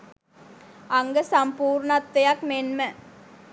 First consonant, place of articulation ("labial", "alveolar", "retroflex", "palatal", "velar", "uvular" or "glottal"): velar